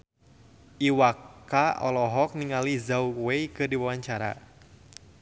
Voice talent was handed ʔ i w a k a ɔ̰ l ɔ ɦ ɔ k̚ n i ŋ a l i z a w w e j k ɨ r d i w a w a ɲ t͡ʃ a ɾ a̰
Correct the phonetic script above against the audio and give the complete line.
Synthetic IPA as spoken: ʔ i w a k a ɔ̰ l ɔ ɦ ɔ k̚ n i ŋ a l i z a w w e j k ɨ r d i w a w a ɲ t͡ʃ a ɾ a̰

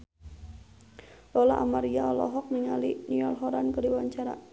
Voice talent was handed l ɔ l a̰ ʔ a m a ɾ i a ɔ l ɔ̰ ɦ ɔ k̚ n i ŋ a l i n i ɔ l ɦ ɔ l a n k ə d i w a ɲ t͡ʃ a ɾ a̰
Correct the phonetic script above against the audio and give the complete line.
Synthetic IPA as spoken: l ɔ l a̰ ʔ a m a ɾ i a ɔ l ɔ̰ ɦ ɔ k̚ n i ŋ a l i n i ɔ l ɦ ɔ ɾ a n k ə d i w a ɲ t͡ʃ a ɾ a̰

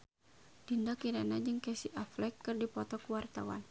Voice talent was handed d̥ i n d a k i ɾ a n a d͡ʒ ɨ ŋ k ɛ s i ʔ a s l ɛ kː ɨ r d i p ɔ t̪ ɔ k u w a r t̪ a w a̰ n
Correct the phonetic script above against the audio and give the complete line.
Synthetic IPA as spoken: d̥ i n d a k i ɾ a n a d͡ʒ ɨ ŋ k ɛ s i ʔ a f l ɛ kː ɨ r d i p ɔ t̪ ɔ k u w a r t̪ a w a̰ n

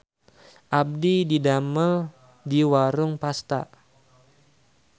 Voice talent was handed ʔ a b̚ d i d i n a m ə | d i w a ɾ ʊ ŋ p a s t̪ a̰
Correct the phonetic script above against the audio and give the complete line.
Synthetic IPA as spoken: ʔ a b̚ d i d i d a m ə | d i w a ɾ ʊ ŋ p a s t̪ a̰

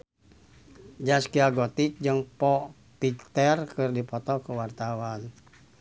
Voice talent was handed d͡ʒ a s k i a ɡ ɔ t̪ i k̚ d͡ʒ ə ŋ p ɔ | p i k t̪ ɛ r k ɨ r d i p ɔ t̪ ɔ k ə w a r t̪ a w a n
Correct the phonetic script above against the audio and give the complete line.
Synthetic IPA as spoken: d͡ʒ a s k i a ɡ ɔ t̪ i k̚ d͡ʒ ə ŋ p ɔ | p i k t̪ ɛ r k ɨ r d i p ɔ t̪ ɔ k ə w a r t̪ a w a n

